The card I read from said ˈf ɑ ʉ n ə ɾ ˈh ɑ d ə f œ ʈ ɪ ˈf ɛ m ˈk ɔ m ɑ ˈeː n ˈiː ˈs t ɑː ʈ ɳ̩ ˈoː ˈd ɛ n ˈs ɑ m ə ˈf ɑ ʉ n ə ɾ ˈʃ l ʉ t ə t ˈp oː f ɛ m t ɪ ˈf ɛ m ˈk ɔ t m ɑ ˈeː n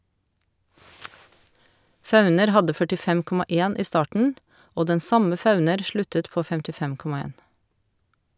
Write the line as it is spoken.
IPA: ˈf ɑ ʉ n ə ɾ ˈh ɑ d ə f œ ʈ ɪ ˈf ɛ m ˈk ɔ m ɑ ˈeː n ˈiː ˈs t ɑː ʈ ɳ̩ ˈoː ˈd ɛ n ˈs ɑ m ə ˈf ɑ ʉ n ə ɾ ˈʃ l ʉ t ə t ˈp oː f ɛ m t ɪ ˈf ɛ m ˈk ɔ m ɑ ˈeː n